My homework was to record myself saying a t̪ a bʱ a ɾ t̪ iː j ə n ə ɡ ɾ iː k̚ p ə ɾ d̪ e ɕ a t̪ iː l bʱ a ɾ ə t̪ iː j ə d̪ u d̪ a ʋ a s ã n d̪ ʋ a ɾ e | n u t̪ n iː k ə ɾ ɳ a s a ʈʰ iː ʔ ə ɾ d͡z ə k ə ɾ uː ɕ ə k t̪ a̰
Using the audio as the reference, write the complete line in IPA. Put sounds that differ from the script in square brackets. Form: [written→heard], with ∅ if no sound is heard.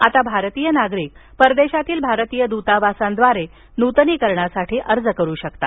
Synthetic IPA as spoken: a t̪ a bʱ a ɾ t̪ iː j ə n [ə→a] ɡ ɾ iː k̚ p ə ɾ d̪ e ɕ a t̪ iː l bʱ a ɾ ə t̪ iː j ə d̪ u [d̪→t̪] a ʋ a s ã n d̪ ʋ a ɾ e | n u t̪ n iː k ə ɾ ɳ a s a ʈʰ iː ʔ ə ɾ d͡z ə k ə ɾ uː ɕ ə k t̪ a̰